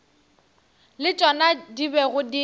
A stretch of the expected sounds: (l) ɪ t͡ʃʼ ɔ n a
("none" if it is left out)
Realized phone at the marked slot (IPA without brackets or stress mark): l